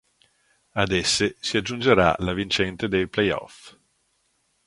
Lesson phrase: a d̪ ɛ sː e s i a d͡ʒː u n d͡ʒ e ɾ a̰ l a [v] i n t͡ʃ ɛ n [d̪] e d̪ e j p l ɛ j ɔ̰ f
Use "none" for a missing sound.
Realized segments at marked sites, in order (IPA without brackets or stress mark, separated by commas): v, t̪